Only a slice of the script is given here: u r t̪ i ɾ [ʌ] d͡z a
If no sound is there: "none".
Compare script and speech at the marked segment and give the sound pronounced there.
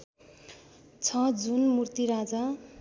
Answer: a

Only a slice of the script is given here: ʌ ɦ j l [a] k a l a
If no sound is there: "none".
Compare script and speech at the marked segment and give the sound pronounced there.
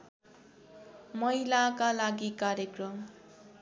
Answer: a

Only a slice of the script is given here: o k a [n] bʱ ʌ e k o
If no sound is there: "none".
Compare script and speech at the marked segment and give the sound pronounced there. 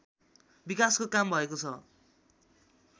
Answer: m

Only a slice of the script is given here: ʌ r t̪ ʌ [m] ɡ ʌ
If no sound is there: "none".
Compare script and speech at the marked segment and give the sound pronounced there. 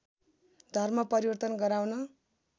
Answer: n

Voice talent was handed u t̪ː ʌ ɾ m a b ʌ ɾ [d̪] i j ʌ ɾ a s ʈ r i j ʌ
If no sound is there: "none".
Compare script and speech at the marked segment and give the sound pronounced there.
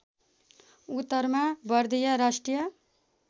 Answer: d̪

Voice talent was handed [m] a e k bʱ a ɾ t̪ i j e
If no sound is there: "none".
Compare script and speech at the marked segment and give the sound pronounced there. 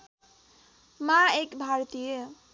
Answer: m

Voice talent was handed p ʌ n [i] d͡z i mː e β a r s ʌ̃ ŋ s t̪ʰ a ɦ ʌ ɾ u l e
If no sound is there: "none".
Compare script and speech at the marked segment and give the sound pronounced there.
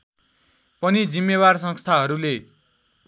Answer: i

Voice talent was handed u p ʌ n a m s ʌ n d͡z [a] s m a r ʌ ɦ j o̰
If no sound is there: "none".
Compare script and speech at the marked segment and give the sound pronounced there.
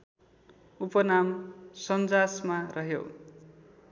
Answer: a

